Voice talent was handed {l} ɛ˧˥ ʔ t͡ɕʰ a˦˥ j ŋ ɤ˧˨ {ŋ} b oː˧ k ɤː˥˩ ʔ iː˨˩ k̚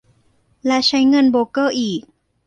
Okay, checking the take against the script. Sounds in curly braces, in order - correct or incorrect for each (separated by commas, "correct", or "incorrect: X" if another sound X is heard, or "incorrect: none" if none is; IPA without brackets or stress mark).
correct, incorrect: n